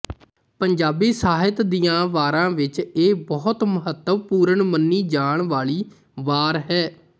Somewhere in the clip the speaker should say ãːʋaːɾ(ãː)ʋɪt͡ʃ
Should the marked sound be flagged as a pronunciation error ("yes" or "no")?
no